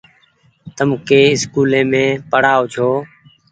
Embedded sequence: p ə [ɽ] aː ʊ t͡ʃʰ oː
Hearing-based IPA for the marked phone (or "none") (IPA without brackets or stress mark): ɽ